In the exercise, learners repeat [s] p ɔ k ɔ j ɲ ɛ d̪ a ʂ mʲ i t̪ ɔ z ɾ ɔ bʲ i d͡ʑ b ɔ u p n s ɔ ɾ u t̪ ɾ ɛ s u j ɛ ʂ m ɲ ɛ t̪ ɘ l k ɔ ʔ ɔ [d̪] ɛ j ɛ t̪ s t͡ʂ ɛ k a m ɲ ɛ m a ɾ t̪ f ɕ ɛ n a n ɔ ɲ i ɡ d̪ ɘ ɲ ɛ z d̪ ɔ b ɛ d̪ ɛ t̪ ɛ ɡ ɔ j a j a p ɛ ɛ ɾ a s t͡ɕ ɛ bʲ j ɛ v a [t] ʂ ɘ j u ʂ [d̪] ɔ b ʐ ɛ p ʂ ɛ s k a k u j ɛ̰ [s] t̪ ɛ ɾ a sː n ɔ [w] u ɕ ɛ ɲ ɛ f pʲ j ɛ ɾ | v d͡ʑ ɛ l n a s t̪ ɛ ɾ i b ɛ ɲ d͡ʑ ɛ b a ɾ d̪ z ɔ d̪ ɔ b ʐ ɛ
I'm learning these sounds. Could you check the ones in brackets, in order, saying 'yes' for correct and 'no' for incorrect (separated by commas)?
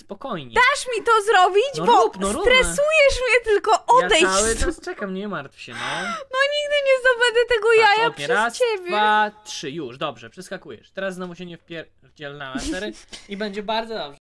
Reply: yes, yes, yes, yes, no, no